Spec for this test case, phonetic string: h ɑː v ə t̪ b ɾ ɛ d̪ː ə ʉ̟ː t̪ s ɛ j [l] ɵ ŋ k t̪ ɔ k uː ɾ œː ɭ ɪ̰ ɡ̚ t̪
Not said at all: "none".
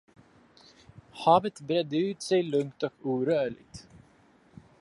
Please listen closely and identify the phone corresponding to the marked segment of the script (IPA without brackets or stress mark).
l